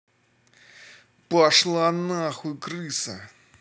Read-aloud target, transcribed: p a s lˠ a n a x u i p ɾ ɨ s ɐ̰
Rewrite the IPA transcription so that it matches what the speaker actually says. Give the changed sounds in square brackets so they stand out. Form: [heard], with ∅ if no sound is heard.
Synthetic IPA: p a [ʂ] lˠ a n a x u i [k] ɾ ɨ s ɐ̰